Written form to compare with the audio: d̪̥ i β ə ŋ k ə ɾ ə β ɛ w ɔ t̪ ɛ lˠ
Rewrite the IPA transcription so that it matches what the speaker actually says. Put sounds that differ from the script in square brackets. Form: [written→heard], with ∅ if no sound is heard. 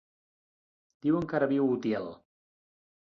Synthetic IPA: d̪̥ i [β→w] ə ŋ k [ə→a] ɾ ə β [ɛ→i] w [ɔ→u] t̪ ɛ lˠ